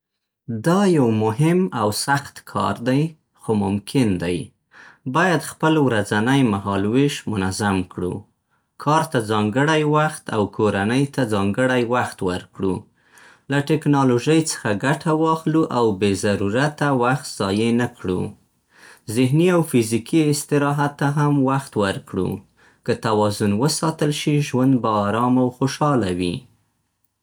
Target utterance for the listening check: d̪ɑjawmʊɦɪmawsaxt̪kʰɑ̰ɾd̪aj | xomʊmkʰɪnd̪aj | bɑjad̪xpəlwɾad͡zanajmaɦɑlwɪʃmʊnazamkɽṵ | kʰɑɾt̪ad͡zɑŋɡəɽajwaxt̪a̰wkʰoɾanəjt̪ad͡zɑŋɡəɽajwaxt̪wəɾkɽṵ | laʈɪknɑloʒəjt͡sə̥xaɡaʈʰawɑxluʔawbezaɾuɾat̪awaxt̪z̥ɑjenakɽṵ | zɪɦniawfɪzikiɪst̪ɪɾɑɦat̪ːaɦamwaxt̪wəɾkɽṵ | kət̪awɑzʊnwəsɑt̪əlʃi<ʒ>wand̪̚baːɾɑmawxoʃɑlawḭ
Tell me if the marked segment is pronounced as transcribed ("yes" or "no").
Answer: yes